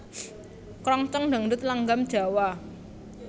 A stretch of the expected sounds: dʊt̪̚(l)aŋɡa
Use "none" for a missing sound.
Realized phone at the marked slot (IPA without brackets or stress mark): l